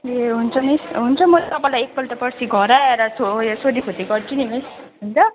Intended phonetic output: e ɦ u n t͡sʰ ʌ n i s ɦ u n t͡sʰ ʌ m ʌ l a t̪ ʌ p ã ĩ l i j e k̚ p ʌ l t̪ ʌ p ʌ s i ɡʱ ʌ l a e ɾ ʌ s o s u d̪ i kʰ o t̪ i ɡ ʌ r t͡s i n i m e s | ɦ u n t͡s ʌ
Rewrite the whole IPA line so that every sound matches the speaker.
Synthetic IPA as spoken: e ɦ u n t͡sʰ ʌ n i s ɦ u n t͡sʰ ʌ m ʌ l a t̪ ʌ p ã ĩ l a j e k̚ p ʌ l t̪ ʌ p ʌ s i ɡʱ ʌ ɾ a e ɾ ʌ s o s o d̪ i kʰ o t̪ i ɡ ʌ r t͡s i n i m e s | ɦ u n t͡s ʌ